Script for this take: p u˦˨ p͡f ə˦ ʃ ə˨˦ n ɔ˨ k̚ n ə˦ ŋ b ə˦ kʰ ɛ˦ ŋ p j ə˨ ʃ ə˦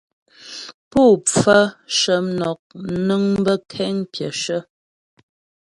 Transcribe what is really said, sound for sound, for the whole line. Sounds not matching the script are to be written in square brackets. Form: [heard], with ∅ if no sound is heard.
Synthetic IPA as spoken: p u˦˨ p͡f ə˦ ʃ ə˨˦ n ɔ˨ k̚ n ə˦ ŋ b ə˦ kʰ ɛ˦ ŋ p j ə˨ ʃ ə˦